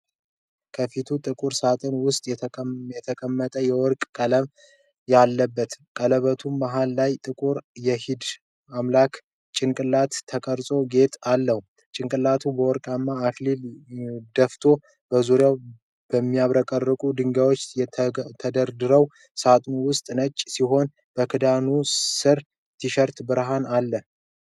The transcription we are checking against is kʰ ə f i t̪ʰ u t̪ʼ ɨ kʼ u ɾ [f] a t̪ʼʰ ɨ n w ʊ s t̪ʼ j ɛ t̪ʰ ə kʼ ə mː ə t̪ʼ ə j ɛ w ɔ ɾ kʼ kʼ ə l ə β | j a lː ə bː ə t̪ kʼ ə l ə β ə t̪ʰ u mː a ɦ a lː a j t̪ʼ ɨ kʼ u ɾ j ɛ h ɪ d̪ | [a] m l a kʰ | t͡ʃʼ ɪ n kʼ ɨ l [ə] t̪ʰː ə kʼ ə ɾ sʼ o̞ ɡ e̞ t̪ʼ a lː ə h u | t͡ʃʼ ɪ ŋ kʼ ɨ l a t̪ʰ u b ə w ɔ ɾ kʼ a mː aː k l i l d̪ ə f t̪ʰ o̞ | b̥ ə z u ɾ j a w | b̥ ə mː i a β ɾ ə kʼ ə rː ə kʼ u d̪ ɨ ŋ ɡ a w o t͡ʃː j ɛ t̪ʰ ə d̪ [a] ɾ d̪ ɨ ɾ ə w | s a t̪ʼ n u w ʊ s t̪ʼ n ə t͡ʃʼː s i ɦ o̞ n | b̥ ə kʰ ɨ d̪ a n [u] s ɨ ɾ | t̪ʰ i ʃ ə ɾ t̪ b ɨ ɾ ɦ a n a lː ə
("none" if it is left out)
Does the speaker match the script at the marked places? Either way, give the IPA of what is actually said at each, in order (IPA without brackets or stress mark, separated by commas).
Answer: s, a, a, ə, u